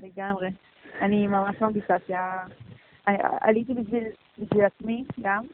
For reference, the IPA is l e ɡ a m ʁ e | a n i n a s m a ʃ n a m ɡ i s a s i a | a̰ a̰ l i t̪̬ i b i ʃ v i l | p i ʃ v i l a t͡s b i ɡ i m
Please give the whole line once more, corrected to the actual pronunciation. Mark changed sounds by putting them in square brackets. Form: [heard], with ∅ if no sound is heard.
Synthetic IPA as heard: l e ɡ a m ʁ e | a n i [m] a [∅] m a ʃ [m] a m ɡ i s a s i a | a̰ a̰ l i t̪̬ i b i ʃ v i l | [b] i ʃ v i l a t͡s [m] i ɡ [a] m